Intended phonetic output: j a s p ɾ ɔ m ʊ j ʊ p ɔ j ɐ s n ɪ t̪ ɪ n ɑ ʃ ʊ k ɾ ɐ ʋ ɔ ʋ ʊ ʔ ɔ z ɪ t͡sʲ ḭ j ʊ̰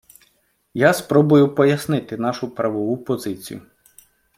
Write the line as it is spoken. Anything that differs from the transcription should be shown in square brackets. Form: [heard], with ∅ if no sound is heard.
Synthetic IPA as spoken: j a s p ɾ ɔ [b] ʊ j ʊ p ɔ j ɐ s n ɪ t̪ ɪ n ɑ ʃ ʊ [p] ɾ ɐ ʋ ɔ ʋ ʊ [p] ɔ z ɪ t͡sʲ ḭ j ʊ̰